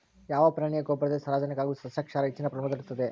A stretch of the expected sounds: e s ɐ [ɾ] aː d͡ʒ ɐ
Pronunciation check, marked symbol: correct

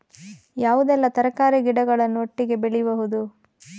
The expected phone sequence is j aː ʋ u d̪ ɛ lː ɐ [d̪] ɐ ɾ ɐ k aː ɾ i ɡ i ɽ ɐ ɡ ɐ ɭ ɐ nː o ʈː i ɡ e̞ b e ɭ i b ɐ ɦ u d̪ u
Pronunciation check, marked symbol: incorrect: t̪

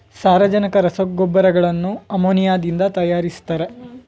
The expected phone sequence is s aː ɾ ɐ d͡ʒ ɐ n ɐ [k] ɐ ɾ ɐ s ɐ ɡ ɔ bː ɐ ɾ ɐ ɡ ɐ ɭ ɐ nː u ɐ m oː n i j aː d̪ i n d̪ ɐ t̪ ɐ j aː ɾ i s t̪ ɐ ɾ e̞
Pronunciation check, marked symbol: correct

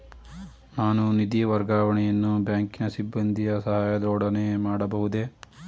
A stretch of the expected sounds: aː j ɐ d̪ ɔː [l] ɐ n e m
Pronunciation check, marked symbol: incorrect: ɽ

